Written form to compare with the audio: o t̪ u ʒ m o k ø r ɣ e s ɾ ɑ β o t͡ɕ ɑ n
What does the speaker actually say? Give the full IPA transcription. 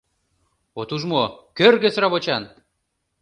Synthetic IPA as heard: o t̪ u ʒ m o k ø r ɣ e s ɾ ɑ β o t͡ɕ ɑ n